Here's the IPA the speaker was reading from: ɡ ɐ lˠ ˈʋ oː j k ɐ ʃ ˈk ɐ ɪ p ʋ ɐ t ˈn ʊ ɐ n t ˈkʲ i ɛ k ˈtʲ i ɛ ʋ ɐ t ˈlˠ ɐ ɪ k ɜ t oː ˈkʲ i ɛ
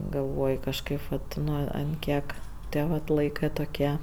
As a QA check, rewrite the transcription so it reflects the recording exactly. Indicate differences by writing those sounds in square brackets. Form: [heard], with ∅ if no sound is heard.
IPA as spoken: ɡ ɐ lˠ ˈʋ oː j k ɐ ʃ ˈk ɐ ɪ p ʋ ɐ t ˈn ʊ ɐ n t ˈkʲ i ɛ k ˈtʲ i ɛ ʋ ɐ t ˈlˠ ɐ ɪ k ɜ t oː ˈkʲ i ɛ